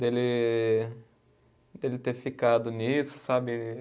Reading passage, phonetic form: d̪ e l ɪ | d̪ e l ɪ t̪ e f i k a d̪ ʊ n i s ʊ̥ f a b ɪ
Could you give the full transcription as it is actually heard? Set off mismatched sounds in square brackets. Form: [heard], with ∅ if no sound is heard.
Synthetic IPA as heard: d̪ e l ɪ | d̪ e l ɪ t̪ e f i k a d̪ ʊ n i s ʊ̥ [s] a b ɪ